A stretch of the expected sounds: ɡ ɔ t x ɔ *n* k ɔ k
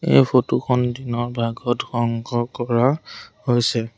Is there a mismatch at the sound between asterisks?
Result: yes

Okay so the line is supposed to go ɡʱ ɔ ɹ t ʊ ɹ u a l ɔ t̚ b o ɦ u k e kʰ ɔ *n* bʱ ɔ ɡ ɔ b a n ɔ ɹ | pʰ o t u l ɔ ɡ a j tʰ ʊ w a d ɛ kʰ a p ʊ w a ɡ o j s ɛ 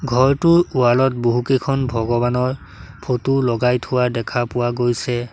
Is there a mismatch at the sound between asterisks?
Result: no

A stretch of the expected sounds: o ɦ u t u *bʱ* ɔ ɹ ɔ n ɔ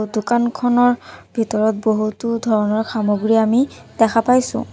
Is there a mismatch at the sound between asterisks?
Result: yes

